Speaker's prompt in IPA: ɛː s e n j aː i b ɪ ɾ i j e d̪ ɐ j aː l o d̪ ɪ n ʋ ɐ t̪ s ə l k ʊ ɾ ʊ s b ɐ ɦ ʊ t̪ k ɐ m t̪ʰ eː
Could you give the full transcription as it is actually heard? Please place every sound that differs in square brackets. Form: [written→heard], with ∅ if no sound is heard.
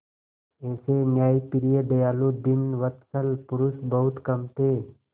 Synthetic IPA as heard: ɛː s e n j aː i [b→p] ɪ ɾ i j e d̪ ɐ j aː l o d̪ ɪ n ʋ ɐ t̪ s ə l [k→p] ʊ ɾ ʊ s b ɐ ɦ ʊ t̪ k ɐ m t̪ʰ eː